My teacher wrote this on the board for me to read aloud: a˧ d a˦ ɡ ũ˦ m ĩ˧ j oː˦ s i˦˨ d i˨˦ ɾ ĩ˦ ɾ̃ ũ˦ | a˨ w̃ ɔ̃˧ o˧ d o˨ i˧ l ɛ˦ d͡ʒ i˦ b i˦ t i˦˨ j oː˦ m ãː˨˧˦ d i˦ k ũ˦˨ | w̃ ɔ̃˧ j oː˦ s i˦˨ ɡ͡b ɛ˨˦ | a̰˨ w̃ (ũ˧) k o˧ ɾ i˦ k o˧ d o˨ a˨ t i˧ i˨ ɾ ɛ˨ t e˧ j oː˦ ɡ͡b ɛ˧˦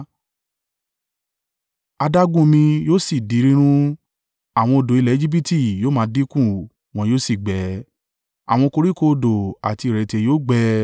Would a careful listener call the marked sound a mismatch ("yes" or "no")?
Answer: yes